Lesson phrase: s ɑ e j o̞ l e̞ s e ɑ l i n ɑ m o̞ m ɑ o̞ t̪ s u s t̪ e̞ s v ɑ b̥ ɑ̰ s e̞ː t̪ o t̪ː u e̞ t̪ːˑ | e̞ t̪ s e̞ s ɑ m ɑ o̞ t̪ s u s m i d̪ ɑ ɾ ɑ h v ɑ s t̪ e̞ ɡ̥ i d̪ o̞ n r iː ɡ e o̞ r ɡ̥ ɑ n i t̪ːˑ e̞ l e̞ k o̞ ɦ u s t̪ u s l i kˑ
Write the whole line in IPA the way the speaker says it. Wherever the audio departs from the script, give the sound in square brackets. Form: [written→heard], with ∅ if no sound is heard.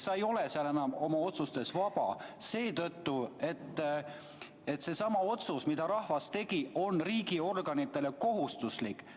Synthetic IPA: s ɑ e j o̞ l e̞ s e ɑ l [i→e] n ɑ m o̞ m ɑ o̞ t̪ s u s t̪ e̞ s v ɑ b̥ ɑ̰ s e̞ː t̪ [o→ɤ] t̪ː u e̞ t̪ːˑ | e̞ t̪ s e̞ s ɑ m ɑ o̞ t̪ s u s m i d̪ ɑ ɾ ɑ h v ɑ s t̪ e̞ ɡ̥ i [d̪→∅] o̞ n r iː ɡ [e→i] o̞ r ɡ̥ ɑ n i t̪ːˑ e̞ l e̞ k o̞ ɦ u s t̪ u s l i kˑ